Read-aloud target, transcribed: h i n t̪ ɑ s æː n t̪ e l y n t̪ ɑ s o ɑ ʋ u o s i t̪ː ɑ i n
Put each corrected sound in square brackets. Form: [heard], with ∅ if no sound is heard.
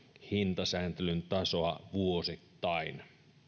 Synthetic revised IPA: h i n t̪ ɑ s æː n t̪ e l y n t̪ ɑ s o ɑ ʋ u o s i t̪ː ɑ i n